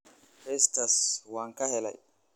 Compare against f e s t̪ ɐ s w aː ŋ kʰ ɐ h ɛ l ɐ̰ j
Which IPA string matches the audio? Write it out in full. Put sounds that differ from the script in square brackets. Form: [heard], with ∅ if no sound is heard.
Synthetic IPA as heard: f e s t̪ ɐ s w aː ŋ [k] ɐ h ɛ l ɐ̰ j